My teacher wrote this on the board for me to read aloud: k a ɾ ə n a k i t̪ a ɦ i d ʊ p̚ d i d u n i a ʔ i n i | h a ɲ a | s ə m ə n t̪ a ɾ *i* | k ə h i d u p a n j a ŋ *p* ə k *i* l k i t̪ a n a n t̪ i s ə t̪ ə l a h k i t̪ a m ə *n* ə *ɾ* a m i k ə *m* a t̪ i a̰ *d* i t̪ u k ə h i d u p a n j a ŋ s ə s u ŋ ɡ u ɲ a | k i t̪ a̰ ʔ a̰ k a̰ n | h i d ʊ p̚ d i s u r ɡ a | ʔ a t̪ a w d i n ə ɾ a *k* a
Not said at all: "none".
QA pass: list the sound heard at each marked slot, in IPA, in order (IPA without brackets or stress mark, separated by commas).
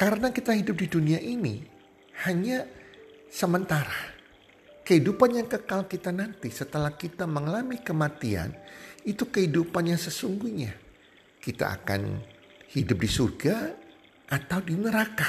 a, k, a, ŋ, l, m, n, k